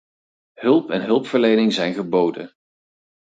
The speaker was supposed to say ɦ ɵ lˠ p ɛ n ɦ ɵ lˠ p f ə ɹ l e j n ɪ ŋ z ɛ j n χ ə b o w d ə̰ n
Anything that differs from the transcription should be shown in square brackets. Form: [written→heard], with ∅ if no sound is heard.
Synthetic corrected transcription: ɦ ɵ lˠ p ɛ n ɦ ɵ lˠ p f ə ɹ l e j n ɪ ŋ z ɛ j n χ ə b o w d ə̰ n